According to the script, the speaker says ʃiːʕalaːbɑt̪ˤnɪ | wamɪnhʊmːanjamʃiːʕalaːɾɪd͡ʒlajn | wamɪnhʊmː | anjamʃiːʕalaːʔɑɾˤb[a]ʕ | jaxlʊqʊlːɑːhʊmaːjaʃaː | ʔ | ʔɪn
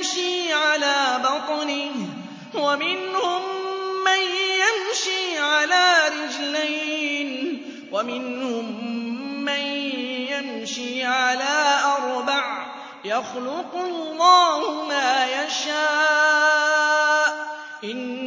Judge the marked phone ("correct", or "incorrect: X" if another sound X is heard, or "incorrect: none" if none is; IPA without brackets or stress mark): correct